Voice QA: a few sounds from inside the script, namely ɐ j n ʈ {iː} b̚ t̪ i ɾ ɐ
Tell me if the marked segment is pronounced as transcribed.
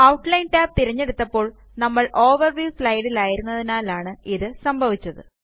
no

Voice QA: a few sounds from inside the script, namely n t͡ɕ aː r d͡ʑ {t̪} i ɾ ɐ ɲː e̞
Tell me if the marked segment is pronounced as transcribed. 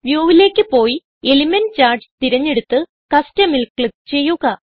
yes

